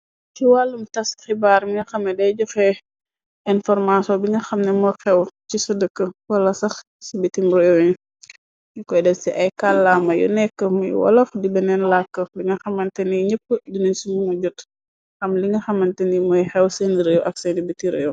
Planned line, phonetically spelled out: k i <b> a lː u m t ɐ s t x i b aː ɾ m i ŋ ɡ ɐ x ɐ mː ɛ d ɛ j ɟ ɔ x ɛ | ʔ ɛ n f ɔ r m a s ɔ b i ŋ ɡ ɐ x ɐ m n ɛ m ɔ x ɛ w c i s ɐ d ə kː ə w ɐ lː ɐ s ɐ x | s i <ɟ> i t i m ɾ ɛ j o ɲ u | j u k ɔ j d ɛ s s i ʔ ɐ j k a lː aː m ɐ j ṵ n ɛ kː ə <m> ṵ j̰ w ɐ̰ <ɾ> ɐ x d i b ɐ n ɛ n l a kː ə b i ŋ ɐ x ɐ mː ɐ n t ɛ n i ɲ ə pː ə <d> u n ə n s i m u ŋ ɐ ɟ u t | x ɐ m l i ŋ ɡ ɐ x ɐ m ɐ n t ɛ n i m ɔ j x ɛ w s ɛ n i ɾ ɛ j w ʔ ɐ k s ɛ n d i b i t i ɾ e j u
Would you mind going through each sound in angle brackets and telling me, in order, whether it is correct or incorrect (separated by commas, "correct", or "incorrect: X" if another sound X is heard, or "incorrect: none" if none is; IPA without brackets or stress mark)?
incorrect: w, incorrect: b, correct, incorrect: l, correct